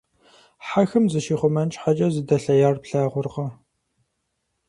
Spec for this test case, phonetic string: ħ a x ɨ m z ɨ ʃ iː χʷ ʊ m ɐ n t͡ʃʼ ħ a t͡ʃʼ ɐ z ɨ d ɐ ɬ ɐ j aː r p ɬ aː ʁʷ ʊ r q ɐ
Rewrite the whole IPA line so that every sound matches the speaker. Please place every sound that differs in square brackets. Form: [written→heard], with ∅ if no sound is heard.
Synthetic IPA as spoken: ħ a x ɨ m z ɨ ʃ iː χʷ ʊ m ɐ n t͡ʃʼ ħ a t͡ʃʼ ɐ z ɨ d ɐ ɬ ɐ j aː r p ɬ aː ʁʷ ʊ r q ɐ